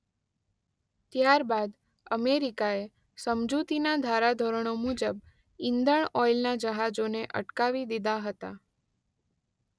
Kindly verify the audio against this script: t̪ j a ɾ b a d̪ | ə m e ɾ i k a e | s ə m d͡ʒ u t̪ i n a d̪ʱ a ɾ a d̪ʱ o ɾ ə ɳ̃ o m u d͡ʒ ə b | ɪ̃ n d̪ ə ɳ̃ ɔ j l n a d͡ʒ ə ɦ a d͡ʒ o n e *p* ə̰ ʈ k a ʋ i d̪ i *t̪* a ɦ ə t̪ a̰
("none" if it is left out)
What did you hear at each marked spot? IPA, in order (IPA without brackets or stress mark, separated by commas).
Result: ʔ, d̪